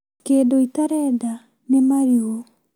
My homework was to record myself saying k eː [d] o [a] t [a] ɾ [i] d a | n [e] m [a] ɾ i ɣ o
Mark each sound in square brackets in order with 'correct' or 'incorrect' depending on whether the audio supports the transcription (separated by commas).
correct, incorrect, correct, incorrect, correct, correct